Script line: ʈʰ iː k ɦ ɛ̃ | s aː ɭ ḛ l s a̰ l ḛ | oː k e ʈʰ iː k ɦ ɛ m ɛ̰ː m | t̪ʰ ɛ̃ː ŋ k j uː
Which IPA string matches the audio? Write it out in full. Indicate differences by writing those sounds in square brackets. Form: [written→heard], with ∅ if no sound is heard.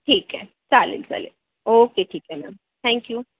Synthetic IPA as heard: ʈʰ iː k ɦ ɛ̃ | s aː [ɭ→l] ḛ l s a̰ l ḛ | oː k e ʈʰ iː k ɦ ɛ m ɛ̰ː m | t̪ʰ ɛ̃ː ŋ k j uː